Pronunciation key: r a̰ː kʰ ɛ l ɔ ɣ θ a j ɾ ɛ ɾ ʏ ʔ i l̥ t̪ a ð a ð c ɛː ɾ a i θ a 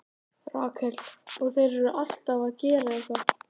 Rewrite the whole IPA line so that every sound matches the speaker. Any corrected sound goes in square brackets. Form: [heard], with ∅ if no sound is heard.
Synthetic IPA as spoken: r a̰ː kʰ ɛ l ɔ ɣ θ [e] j ɾ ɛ ɾ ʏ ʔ [a] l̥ t̪ a [v] a ð c ɛː ɾ a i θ a